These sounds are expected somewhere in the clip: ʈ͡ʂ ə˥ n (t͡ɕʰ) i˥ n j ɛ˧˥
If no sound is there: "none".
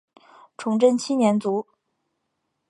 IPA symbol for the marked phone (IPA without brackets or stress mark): t͡ɕʰ